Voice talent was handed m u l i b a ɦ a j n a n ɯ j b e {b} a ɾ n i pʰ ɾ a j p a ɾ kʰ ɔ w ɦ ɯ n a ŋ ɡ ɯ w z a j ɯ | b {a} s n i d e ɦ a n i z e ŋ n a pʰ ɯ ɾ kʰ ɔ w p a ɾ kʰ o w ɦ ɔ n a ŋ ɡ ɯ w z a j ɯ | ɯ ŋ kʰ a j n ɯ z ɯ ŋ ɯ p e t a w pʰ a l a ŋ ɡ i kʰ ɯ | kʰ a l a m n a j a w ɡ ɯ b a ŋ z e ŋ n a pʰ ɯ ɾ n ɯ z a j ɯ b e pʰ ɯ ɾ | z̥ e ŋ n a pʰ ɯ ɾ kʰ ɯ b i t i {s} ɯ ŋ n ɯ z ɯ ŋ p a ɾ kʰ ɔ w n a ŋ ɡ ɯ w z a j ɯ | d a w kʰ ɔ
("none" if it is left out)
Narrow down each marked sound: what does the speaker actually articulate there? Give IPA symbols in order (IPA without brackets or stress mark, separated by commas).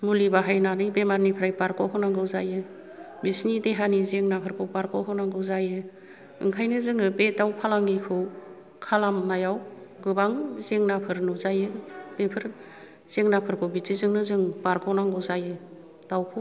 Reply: m, i, z